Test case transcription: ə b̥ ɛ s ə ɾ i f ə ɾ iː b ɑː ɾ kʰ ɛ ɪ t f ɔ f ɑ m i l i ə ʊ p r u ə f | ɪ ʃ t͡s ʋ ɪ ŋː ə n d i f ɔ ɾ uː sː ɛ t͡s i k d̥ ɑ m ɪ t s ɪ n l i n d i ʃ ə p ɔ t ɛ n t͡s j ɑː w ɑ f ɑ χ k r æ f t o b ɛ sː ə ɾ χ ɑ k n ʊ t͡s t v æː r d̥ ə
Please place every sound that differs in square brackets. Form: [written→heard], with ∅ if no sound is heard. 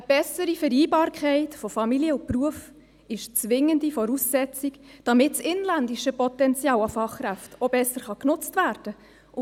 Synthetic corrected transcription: ə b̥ ɛ s ə ɾ i f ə ɾ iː b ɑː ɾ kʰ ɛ ɪ t f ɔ f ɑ m i l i ə ʊ p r u ə f | ɪ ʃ t͡s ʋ ɪ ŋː ə n d i f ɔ ɾ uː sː ɛ t͡s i k d̥ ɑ m ɪ t s ɪ n l [i→æ] n d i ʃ ə p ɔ t ɛ n t͡s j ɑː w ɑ f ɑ χ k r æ f t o b ɛ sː ə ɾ χ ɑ k n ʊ t͡s t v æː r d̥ ə